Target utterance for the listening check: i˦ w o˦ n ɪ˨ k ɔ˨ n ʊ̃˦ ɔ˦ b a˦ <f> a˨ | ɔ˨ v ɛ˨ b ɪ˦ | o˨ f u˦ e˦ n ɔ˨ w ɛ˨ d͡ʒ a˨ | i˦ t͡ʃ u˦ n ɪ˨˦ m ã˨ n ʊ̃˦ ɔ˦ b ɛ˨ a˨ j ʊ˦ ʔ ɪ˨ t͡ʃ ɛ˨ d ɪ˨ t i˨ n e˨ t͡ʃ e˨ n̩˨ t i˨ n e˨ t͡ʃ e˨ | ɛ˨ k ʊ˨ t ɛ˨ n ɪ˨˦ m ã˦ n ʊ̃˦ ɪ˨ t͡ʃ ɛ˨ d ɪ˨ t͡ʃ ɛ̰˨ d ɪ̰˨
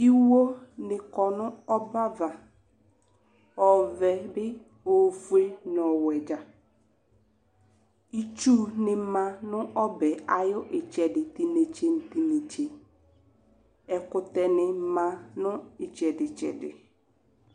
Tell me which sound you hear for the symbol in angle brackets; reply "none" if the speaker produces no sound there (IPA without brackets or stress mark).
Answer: v